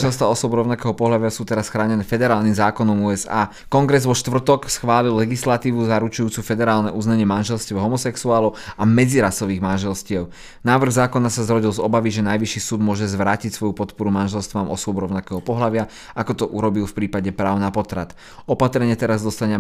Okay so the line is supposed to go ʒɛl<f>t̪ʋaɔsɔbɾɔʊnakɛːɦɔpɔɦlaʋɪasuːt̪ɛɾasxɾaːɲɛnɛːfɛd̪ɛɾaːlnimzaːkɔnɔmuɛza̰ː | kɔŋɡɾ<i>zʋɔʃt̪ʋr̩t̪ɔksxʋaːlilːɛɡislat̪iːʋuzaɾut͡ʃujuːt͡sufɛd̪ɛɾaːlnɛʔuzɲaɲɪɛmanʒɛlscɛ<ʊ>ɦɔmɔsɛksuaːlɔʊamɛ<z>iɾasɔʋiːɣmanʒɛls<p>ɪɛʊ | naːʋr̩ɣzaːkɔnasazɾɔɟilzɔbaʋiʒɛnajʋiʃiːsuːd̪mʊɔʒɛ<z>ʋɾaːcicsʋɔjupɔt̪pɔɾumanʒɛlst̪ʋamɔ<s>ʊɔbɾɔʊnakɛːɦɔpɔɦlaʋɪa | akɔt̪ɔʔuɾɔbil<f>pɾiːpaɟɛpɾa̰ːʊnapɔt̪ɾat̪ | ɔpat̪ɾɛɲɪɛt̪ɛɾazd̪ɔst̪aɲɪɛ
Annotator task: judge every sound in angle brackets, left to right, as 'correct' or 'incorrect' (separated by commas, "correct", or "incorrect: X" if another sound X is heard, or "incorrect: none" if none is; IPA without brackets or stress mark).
incorrect: s, incorrect: ɛ, correct, incorrect: d͡z, incorrect: c, correct, correct, correct